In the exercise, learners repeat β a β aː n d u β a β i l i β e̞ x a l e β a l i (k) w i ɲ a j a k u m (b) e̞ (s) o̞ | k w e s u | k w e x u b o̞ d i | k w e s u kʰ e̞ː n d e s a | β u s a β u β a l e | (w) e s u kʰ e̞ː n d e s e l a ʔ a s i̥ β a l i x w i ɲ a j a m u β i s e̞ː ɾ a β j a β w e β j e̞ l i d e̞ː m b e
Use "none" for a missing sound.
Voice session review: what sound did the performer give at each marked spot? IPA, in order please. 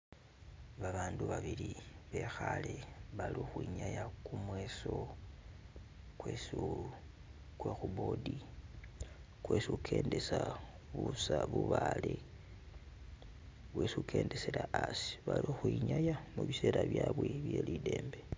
x, w, s, w

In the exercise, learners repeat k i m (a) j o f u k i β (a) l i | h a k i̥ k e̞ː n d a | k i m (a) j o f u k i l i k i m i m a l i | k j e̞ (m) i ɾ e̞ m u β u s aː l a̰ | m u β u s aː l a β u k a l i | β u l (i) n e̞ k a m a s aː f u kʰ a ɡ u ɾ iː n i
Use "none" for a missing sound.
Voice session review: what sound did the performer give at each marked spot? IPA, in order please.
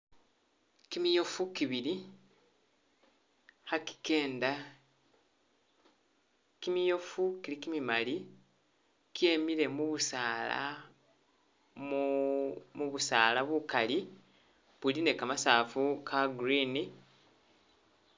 i, i, i, m, i

